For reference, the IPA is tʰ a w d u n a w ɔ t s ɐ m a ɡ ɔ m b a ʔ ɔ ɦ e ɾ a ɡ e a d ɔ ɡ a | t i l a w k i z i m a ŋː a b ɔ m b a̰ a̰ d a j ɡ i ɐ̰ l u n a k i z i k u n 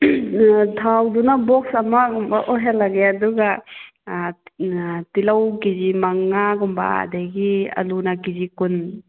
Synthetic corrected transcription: tʰ a w d u n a b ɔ k s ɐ m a ɡ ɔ m b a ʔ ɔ ɦ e l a ɡ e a d u ɡ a | t i l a w k i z i m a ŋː a ɡ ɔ m b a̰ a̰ d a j ɡ i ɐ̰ l u n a k i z i k u n